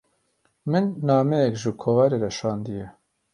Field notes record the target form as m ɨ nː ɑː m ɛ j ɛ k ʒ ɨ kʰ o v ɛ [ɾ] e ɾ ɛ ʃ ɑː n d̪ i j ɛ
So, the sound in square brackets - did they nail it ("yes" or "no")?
yes